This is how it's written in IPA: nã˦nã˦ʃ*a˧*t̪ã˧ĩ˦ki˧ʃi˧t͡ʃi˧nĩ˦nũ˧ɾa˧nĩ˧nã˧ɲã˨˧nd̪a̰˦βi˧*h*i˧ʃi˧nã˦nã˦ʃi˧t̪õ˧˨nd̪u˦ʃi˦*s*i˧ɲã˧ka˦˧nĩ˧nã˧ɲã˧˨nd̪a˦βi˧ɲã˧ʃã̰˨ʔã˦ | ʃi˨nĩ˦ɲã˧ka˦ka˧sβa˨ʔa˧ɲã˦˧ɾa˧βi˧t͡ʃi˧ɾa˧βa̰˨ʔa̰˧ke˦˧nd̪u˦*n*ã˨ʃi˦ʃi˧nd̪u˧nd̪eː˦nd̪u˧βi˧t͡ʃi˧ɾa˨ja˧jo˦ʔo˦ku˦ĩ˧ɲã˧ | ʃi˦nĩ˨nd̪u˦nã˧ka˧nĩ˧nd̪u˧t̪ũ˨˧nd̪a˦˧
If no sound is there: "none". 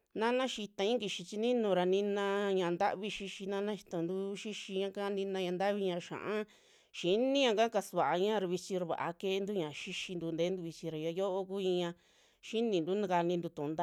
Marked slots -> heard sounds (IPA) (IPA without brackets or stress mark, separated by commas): i˧, ʃ, ʃ, ɲ